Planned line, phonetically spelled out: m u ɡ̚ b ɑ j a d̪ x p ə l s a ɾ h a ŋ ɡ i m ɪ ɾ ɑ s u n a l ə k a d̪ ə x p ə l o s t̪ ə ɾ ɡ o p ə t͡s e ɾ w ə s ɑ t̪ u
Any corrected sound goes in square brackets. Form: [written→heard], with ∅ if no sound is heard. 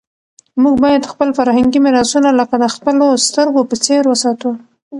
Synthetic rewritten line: m u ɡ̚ b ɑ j a d̪ x p ə l [s→f] a ɾ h a ŋ ɡ i m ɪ ɾ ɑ s u n a l ə k a d̪ ə x p ə l o s t̪ ə ɾ ɡ o p ə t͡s e ɾ w ə s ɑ t̪ u

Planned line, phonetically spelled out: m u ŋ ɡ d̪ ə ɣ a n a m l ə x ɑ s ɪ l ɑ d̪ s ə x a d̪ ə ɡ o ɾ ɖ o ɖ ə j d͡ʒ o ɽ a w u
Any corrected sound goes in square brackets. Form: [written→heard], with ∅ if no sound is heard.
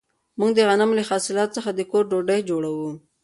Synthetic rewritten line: m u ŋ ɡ d̪ ə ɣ a n a m l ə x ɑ s ɪ l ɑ [d̪→t̪] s ə x a d̪ ə [ɡ→k] o ɾ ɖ o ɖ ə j d͡ʒ o ɽ a w u

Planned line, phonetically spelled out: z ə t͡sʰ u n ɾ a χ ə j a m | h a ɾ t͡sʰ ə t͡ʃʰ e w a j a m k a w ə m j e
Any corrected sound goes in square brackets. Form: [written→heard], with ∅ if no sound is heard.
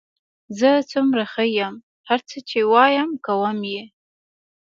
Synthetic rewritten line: z ə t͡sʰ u [n→m] ɾ a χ ə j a m | h a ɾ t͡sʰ ə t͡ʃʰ e w [a→ɑ] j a m k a w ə m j e

